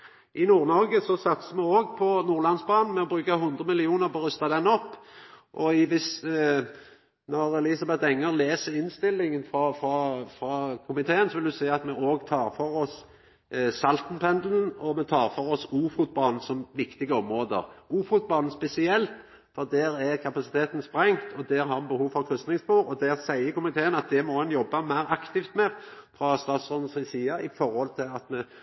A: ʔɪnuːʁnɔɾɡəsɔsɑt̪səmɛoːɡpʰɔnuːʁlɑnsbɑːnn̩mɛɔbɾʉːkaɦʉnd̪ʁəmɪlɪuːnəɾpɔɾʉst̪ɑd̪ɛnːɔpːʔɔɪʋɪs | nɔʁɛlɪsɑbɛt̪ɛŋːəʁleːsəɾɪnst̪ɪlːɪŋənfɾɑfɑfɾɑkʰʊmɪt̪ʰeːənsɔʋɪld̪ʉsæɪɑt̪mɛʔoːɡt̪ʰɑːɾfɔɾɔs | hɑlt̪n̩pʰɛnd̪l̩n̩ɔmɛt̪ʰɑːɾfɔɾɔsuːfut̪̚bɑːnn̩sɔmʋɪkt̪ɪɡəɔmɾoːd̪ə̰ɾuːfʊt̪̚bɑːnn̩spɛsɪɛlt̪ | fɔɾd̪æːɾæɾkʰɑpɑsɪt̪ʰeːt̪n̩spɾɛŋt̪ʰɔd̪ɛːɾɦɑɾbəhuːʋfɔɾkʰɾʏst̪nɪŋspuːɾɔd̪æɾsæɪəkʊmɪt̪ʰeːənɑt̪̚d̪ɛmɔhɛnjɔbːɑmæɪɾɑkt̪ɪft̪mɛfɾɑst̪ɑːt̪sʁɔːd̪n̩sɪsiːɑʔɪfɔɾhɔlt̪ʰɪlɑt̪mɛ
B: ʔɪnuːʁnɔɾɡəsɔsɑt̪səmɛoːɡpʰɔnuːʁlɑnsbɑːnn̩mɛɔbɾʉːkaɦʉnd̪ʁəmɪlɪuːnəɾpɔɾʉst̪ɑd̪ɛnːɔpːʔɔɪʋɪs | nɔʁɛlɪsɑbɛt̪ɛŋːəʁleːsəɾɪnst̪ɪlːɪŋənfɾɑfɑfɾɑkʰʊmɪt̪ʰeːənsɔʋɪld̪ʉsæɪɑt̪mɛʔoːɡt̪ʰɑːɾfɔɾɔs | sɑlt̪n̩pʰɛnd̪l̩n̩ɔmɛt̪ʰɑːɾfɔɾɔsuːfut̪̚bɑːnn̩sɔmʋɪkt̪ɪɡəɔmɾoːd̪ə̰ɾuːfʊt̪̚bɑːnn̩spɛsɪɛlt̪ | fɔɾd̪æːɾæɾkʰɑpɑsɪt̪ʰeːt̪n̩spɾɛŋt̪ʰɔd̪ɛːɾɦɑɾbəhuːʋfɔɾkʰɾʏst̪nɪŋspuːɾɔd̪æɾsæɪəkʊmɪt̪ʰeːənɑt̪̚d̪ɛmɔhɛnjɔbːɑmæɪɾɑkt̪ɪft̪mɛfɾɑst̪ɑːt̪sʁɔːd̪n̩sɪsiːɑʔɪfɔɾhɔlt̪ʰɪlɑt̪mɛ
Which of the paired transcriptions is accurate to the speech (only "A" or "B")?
B